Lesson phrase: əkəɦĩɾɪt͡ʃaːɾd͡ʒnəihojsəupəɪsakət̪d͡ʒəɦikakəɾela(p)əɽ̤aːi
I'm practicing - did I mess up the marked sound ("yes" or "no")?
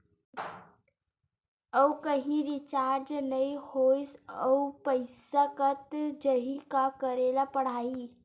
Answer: no